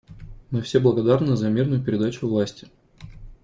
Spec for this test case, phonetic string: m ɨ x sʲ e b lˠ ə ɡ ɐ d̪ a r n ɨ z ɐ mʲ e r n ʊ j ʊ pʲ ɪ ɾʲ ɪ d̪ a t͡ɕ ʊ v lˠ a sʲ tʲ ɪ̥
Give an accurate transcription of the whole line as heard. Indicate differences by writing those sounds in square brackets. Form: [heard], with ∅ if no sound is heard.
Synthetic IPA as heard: m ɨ [f] sʲ e b lˠ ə ɡ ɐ d̪ a r n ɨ z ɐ mʲ [i] r n ʊ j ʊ pʲ ɪ ɾʲ ɪ d̪ a t͡ɕ ʊ v lˠ a sʲ tʲ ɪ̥